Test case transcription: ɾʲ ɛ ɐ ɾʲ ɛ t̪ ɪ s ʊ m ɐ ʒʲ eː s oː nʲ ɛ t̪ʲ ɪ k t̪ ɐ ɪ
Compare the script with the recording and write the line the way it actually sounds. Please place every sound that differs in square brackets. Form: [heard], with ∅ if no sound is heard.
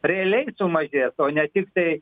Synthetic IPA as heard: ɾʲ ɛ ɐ [lʲ] ɛ [∅] ɪ s ʊ m ɐ ʒʲ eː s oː nʲ ɛ t̪ʲ ɪ k t̪ ɐ ɪ